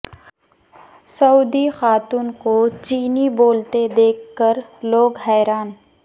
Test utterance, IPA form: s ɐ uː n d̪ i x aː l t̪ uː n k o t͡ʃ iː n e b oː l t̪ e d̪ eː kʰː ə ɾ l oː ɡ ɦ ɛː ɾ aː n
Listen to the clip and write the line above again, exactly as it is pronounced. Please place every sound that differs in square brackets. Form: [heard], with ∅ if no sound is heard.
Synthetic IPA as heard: s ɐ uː [∅] d̪ i x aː [∅] t̪ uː n k o t͡ʃ iː n [i] b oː l t̪ e d̪ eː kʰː ə ɾ l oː ɡ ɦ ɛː ɾ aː n